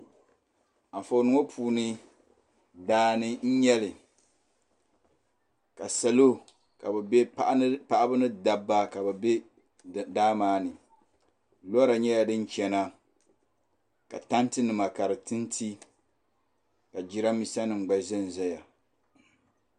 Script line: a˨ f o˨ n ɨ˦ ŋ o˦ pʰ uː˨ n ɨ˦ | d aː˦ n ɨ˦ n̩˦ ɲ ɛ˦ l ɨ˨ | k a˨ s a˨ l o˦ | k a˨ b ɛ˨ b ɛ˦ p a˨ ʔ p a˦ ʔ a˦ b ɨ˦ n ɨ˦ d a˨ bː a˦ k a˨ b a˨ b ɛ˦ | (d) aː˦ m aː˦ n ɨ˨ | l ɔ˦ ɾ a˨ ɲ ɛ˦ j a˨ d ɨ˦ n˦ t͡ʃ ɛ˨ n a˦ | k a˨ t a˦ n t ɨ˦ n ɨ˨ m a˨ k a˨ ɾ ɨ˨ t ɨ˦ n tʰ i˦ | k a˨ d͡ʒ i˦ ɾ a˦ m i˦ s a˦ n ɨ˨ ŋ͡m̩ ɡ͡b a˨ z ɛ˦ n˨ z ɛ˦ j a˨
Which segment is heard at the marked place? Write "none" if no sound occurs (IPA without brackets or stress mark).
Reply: d